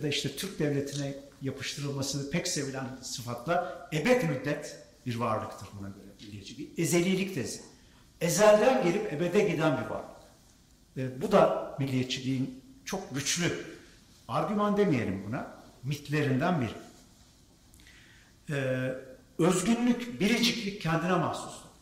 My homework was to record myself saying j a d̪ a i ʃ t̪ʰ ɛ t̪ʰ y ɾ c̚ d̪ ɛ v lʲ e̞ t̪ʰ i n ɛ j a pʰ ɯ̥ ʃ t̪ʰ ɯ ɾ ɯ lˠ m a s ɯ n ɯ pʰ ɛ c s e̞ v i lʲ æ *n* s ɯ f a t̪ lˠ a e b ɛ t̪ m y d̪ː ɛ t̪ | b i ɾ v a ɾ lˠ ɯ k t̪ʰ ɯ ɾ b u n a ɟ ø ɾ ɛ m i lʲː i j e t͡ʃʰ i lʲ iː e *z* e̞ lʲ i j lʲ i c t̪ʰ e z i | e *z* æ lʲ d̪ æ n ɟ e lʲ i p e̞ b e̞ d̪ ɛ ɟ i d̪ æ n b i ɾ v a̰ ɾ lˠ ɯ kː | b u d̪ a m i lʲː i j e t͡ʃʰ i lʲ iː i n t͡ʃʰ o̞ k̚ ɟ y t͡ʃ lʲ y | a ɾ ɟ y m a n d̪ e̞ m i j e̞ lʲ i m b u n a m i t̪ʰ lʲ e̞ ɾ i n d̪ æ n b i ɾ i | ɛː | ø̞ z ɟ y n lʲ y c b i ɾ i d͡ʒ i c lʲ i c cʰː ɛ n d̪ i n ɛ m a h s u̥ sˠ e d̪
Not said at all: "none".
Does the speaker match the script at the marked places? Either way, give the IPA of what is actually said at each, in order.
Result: n, z, z

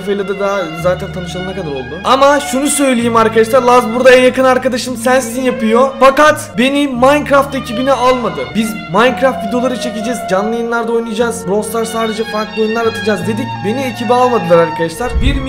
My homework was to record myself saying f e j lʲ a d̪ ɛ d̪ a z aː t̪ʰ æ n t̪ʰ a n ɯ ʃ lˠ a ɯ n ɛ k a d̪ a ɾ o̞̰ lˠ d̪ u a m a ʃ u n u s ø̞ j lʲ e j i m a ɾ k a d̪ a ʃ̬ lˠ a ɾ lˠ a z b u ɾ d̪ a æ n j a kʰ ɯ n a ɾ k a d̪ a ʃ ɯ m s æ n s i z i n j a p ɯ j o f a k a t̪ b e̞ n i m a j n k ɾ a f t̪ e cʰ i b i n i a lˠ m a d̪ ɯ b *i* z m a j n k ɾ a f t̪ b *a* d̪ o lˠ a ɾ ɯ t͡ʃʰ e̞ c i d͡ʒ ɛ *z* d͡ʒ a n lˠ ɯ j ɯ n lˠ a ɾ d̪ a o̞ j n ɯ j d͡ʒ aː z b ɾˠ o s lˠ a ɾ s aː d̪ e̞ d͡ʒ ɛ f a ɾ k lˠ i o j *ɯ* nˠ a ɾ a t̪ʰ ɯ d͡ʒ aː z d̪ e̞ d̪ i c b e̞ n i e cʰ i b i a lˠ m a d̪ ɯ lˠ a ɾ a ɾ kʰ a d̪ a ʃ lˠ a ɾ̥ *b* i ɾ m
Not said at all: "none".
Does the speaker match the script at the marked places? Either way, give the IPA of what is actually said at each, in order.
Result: i, i, z, u, b

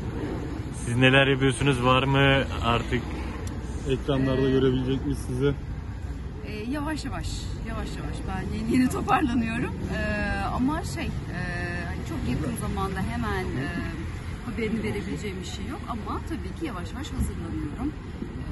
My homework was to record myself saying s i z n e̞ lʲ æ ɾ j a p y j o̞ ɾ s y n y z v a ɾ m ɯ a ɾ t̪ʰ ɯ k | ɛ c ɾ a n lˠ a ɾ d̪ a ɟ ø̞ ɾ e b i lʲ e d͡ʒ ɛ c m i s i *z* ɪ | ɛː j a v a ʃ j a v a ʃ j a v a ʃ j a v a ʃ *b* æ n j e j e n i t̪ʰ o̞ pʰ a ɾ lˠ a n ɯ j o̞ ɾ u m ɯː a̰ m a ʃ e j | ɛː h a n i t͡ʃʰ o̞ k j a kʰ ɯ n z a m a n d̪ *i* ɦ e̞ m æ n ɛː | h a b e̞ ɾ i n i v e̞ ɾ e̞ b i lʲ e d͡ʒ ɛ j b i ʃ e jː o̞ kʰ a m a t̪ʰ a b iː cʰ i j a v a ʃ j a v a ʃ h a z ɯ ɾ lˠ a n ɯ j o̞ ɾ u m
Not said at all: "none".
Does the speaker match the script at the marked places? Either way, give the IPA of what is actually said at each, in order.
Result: z, b, a

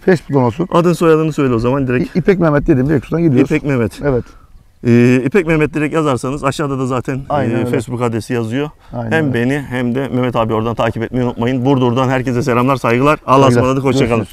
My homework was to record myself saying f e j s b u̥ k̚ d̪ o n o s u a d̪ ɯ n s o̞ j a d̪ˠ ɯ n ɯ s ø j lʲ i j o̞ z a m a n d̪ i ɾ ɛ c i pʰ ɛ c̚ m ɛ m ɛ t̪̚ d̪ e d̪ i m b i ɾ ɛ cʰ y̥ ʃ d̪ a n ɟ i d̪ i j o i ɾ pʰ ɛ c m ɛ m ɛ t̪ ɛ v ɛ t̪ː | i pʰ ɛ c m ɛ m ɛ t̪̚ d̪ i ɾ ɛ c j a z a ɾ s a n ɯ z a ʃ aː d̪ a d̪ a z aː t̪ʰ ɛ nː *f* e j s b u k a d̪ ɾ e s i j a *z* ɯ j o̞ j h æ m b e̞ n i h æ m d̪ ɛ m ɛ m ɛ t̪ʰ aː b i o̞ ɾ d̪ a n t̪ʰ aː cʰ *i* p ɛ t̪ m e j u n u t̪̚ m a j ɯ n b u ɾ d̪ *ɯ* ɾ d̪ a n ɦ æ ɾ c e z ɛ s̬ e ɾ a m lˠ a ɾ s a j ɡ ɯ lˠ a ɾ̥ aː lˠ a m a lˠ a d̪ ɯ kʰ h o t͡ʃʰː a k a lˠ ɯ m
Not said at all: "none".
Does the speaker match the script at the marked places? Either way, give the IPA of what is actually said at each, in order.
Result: f, z, i, u

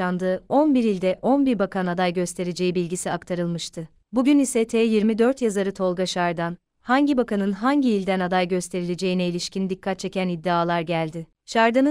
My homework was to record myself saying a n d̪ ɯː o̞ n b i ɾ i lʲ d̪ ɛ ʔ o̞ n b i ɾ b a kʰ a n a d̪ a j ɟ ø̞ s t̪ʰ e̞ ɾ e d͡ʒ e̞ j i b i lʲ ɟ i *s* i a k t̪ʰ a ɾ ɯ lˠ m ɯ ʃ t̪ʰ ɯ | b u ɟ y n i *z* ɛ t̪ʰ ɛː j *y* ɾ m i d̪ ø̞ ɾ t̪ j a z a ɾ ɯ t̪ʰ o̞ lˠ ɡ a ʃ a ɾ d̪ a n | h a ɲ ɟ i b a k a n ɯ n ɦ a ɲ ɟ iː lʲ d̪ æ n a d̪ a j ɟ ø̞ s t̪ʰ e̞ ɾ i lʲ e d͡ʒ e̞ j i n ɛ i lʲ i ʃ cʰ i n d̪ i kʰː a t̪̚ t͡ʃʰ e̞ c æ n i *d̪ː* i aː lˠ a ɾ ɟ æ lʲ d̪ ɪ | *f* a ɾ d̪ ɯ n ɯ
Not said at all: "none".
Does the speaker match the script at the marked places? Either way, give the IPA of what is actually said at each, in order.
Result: s, s, i, d̪ː, ʃ

